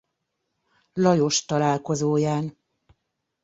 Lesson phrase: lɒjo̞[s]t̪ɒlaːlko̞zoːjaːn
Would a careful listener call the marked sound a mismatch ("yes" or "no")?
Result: yes